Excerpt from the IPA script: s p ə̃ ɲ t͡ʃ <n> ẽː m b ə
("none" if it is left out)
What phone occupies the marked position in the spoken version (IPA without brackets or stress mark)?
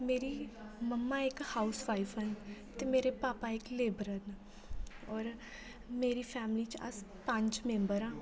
m